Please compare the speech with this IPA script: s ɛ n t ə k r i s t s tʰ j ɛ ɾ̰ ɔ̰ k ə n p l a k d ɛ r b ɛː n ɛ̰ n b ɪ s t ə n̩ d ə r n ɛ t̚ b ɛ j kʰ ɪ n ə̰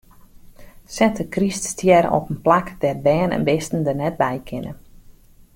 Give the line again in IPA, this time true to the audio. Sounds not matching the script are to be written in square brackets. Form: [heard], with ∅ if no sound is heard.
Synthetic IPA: s ɛ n t ə k r i s t s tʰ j ɛ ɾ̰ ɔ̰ [p] ə n p l a k d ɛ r b ɛː n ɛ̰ n b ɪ s t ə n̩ d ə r n ɛ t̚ b ɛ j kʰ ɪ n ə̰